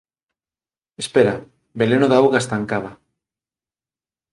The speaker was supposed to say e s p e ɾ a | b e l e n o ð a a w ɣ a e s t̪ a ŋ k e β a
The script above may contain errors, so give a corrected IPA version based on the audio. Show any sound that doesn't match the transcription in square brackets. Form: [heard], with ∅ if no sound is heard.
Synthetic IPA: e s p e ɾ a | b e l e n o ð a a w ɣ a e s t̪ a ŋ k [a] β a